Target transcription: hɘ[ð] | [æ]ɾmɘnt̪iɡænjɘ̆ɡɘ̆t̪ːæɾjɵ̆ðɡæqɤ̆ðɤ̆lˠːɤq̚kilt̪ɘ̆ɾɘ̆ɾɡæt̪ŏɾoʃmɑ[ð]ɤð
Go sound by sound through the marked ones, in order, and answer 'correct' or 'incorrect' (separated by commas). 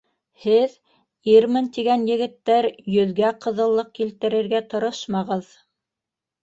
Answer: correct, incorrect, incorrect